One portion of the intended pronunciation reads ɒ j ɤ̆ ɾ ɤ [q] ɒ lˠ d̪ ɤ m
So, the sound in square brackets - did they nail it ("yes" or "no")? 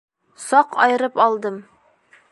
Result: no